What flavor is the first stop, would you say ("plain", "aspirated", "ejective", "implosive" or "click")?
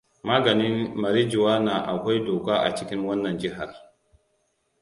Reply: plain